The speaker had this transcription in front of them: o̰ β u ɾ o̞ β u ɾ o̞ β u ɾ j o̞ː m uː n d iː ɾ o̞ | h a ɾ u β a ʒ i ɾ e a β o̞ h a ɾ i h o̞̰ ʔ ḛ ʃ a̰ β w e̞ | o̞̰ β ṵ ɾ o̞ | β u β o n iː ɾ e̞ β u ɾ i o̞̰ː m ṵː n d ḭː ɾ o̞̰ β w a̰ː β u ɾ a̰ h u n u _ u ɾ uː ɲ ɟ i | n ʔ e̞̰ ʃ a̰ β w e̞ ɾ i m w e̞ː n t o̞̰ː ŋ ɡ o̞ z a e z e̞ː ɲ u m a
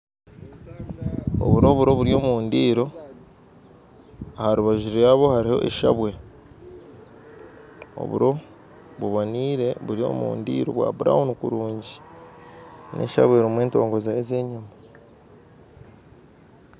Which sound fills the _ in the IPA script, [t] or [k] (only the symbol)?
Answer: k